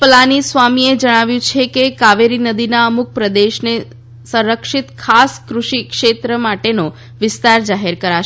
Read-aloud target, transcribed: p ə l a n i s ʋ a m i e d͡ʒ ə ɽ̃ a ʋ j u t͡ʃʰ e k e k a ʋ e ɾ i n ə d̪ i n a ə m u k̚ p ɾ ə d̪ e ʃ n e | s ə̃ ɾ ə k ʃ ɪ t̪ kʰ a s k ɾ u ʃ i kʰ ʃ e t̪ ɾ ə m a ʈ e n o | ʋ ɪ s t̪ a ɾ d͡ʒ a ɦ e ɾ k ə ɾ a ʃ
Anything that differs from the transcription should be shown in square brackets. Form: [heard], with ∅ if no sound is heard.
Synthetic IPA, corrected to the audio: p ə l a n i s ʋ a m i e d͡ʒ ə ɽ̃ a ʋ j [ũ] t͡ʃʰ e k e k a ʋ e ɾ i n ə d̪ i n a ə m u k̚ p ɾ ə d̪ e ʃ n e | s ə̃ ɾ ə k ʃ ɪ t̪ kʰ a s k ɾ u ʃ i [k] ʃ e t̪ ɾ ə m a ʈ e n o | ʋ ɪ s t̪ a ɾ d͡ʒ a ɦ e ɾ k ə ɾ a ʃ